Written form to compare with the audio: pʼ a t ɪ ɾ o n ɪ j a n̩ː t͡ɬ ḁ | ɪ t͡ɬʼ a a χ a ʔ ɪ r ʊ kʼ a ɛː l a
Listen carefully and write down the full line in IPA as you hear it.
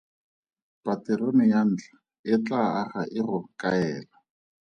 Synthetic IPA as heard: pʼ a t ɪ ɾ o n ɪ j a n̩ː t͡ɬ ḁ | ɪ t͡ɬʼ a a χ a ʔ ɪ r ʊ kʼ a ɛː l a